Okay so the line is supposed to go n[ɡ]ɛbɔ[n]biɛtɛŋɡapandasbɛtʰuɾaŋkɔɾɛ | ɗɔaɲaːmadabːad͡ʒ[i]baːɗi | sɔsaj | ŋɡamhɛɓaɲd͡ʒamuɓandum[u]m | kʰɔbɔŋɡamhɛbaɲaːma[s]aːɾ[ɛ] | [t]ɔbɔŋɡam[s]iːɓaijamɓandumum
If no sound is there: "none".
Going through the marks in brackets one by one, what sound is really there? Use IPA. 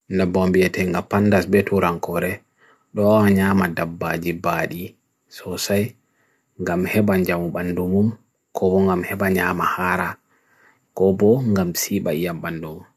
d, m, i, u, h, a, k, s

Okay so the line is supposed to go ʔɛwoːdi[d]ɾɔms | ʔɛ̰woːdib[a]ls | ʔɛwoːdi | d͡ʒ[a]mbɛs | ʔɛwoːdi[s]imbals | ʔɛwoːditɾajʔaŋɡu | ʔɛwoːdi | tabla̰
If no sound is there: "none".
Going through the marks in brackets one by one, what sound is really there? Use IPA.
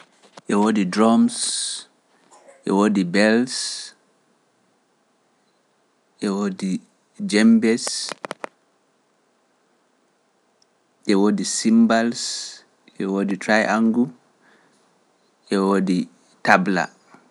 d, ɛ, ɛ, s

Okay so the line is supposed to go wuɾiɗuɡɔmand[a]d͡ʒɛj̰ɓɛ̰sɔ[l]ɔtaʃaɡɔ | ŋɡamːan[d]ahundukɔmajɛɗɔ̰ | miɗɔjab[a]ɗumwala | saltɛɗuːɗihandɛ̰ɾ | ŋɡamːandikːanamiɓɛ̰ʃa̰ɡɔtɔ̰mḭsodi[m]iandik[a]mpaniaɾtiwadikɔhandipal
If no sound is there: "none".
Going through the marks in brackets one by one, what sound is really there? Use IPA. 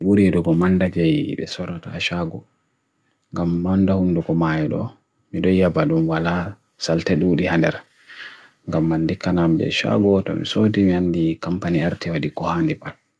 a, ɾ, d, a, m, a

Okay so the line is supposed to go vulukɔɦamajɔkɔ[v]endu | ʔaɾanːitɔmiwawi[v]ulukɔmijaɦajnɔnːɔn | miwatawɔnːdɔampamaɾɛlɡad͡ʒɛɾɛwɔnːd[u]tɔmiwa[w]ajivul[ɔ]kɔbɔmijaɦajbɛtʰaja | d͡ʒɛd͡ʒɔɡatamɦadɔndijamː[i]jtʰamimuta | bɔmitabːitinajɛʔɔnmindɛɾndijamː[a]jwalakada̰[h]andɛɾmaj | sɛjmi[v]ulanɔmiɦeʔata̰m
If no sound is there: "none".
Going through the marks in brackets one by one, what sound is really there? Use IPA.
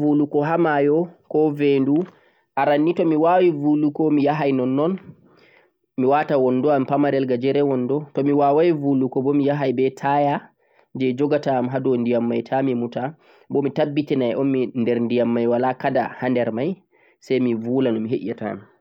v, v, ɔ, w, u, a, a, h, v

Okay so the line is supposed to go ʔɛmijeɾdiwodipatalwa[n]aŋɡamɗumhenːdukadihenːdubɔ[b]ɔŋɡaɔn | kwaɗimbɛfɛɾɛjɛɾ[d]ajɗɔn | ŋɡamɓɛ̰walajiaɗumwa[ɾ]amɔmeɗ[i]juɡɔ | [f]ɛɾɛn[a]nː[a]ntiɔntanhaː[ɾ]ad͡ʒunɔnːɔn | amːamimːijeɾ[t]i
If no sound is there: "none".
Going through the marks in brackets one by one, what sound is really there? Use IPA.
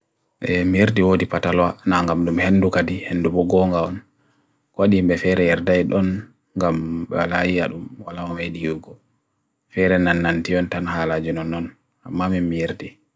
n, ɡ, d, l, i, f, a, a, l, d

